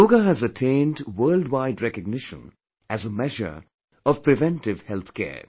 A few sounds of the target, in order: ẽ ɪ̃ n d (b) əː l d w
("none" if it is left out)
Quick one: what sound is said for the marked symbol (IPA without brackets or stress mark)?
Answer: w